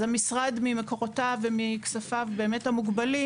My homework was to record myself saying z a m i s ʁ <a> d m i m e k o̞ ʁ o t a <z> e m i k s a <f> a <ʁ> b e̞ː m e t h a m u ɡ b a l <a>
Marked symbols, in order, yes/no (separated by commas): yes, no, yes, no, no